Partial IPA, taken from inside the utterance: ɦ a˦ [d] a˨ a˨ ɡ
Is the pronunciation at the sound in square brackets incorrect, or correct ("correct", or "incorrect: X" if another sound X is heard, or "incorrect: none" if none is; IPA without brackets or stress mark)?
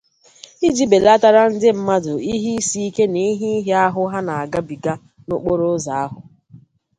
incorrect: n